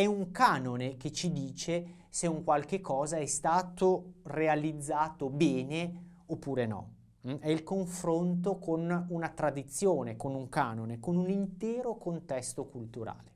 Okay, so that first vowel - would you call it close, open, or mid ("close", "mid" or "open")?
mid